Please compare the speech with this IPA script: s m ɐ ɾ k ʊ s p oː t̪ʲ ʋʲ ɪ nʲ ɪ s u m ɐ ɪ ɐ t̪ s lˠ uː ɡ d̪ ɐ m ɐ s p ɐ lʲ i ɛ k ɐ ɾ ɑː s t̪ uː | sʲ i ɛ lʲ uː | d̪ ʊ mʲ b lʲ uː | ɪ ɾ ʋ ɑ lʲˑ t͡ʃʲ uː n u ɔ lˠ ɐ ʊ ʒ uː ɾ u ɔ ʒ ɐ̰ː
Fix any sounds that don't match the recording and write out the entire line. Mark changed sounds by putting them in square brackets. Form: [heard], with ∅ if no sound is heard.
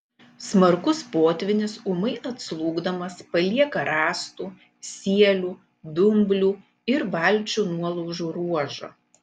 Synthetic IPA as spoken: s m ɐ ɾ k ʊ s p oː t̪ʲ ʋʲ ɪ nʲ ɪ s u m ɐ ɪ ɐ t̪ s lˠ uː ɡ d̪ ɐ m ɐ s p ɐ lʲ i ɛ k ɐ ɾ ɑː s t̪ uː | sʲ i ɛ lʲ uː | d̪ ʊ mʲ b lʲ uː | ɪ ɾ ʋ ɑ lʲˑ t͡ʃʲ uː n u ɔ lˠ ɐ ʊ ʒ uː ɾ u ɔ ʒ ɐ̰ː